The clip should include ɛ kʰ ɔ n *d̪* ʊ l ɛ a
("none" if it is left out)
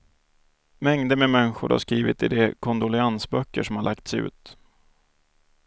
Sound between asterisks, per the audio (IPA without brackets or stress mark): d̪